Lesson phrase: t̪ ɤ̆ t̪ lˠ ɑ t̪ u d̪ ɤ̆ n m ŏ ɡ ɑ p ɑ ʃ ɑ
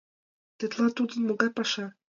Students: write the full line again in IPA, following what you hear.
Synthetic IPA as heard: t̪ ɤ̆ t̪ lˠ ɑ t̪ u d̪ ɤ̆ n m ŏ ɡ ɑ p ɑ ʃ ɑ